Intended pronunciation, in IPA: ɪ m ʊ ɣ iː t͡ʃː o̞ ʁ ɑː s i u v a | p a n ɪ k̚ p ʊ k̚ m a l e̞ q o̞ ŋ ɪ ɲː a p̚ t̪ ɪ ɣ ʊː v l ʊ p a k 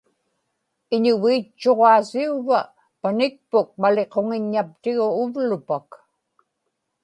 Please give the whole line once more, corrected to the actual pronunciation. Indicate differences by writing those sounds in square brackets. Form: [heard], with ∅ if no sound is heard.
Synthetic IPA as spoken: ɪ [ɲ] ʊ [v] iː t͡ʃː o̞ ʁ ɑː s i u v a | p a n ɪ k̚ p ʊ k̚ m a l e̞ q o̞ ŋ ɪ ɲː a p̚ t̪ ɪ ɣ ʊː v l ʊ p a k